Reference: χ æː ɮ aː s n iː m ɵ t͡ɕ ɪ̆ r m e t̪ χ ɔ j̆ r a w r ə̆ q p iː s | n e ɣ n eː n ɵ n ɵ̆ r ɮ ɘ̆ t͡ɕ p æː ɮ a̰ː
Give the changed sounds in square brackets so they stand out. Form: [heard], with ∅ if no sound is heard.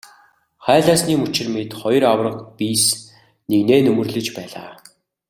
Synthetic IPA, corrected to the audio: χ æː ɮ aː s n iː m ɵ t͡ɕ ɪ̆ r m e t̪ χ ɔ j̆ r a w r ə̆ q p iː s | n e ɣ n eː n ɵ [m] ɵ̆ r ɮ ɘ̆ t͡ɕ p æː ɮ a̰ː